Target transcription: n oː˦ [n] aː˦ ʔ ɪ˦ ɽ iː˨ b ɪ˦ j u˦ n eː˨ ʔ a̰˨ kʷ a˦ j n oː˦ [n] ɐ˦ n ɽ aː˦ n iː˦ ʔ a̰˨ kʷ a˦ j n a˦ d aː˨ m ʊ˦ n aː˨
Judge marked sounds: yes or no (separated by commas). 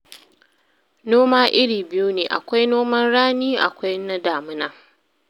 no, no